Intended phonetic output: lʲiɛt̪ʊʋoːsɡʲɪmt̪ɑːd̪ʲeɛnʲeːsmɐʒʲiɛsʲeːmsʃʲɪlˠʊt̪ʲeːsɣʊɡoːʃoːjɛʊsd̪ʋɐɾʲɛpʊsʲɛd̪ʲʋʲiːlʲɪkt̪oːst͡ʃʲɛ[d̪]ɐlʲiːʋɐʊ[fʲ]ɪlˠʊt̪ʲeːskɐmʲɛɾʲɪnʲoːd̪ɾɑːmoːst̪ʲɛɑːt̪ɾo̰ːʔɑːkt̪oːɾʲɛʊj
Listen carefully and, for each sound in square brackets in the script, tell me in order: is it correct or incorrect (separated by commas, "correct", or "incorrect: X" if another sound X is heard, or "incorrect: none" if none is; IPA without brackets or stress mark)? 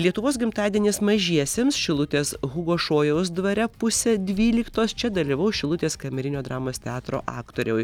correct, incorrect: ʃʲ